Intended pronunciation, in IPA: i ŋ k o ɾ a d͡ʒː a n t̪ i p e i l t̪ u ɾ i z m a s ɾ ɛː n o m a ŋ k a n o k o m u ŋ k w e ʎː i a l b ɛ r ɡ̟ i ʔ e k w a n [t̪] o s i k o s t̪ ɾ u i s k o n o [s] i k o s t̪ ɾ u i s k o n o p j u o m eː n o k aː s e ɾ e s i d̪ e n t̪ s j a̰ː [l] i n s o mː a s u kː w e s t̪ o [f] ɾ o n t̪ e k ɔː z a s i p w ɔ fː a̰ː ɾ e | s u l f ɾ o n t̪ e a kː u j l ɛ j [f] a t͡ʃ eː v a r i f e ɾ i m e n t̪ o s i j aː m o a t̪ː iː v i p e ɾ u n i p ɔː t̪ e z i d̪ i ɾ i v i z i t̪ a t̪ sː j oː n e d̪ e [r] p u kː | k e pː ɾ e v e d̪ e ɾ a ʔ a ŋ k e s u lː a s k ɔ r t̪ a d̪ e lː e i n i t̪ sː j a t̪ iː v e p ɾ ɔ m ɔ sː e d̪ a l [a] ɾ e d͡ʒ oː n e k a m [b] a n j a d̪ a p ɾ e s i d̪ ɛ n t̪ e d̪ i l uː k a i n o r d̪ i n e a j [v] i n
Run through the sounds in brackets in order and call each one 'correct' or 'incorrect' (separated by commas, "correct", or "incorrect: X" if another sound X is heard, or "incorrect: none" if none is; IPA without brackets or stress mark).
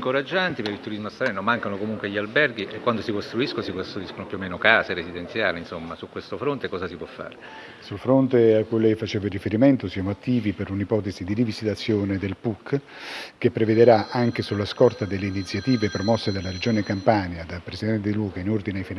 incorrect: d̪, correct, correct, correct, correct, incorrect: l, correct, incorrect: p, incorrect: f